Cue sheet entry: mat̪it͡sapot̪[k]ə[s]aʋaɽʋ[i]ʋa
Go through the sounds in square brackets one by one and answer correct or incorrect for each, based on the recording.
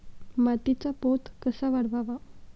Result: correct, correct, incorrect: a

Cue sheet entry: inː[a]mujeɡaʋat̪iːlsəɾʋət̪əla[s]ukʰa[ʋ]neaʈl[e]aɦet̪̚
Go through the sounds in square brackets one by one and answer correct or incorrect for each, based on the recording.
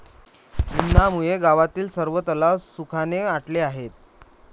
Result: correct, correct, incorrect: none, correct

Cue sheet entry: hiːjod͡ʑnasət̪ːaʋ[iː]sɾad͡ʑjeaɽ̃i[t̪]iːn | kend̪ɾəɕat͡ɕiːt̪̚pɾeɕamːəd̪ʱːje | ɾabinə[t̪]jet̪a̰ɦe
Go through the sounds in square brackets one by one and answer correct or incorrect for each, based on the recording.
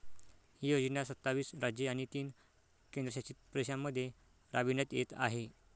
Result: correct, correct, correct

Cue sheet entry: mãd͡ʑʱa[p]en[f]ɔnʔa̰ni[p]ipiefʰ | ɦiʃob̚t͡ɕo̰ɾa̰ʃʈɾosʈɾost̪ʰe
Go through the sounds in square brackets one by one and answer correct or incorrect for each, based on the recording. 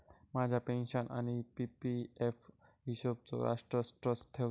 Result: correct, incorrect: ʃ, correct

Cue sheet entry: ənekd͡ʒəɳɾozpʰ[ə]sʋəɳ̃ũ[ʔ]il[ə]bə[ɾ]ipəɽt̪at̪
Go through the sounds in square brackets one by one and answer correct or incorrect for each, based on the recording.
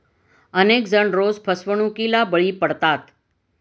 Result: correct, incorrect: k, incorrect: a, incorrect: ɭ

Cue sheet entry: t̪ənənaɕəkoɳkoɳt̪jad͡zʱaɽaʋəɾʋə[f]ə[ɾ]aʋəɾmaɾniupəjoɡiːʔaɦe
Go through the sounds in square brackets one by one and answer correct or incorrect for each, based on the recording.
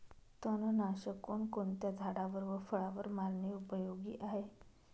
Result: correct, incorrect: ɭ

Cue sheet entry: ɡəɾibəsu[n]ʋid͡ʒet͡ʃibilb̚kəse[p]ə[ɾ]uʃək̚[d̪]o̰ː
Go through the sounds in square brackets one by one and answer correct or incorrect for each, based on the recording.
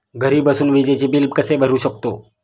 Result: correct, incorrect: b, correct, incorrect: t̪

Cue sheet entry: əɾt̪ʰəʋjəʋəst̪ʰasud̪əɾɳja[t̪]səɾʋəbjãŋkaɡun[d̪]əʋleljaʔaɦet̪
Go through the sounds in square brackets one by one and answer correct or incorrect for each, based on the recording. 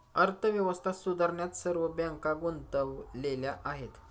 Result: correct, incorrect: t̪

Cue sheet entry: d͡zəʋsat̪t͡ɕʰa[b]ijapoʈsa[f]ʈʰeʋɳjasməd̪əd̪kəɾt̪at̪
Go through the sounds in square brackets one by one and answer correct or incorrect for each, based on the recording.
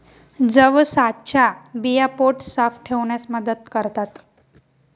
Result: correct, correct

